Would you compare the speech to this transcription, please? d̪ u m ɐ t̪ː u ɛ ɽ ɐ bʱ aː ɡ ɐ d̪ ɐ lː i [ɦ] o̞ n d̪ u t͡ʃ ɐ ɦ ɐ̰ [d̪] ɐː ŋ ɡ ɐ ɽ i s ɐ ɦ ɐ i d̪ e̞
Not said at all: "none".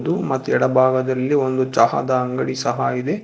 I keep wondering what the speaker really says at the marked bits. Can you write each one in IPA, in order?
none, d̪

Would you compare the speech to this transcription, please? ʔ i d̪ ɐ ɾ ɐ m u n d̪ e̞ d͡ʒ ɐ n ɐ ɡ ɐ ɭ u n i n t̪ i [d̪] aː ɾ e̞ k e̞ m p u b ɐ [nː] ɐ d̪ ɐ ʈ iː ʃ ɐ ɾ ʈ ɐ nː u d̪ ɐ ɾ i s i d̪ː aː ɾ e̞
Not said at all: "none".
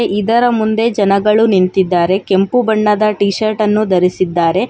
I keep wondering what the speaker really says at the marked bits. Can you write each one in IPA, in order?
d̪ː, ɳː

